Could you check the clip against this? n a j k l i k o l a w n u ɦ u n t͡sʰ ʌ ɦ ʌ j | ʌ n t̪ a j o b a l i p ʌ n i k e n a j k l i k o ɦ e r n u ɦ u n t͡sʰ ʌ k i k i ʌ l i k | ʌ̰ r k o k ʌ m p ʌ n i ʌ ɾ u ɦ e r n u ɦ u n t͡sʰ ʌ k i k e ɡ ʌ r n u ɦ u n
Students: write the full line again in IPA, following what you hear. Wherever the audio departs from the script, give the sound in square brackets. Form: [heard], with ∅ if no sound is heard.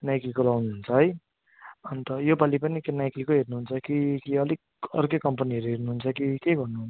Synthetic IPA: n a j k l i k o l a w n u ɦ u n t͡sʰ ʌ ɦ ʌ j | ʌ n t̪ [ʌ] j o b a l i p ʌ n i k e n a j k l i k o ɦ e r n u ɦ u n t͡sʰ ʌ k i k i ʌ l i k | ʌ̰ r k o k ʌ m p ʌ n i ʌ ɾ u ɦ e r n u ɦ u n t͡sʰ ʌ k i k e ɡ ʌ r n u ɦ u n